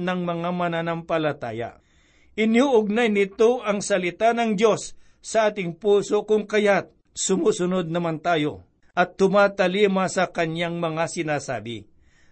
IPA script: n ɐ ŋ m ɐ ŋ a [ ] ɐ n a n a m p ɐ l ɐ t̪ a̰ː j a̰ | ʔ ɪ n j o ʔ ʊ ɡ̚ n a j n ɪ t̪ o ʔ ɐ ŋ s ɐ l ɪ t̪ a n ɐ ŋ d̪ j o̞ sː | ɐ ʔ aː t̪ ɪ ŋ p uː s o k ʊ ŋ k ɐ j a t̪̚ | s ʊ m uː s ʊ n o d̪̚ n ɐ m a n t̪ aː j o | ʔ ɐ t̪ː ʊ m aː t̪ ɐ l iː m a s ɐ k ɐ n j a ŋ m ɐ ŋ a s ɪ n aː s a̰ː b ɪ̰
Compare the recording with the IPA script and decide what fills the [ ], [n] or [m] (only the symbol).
m